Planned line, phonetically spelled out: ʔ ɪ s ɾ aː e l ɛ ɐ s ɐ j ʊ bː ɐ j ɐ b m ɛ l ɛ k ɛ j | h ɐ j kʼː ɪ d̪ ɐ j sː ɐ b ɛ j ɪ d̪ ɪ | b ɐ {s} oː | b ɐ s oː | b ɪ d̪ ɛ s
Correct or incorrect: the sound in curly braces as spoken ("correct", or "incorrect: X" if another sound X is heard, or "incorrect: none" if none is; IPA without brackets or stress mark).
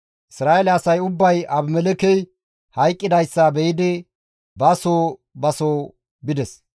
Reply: correct